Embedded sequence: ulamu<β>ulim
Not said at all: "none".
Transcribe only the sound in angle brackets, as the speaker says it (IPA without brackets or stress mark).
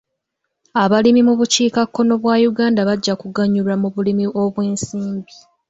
β